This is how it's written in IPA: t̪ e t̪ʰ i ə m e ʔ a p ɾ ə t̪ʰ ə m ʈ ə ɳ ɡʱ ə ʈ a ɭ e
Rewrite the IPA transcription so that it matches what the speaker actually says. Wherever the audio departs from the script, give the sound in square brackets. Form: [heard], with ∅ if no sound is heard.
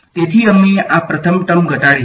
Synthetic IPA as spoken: t̪ e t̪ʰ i ə m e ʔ a p ɾ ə t̪ʰ ə m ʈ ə [m] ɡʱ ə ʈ a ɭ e